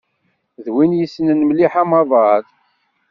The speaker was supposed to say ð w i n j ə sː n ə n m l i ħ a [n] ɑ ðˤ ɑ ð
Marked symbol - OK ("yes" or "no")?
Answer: no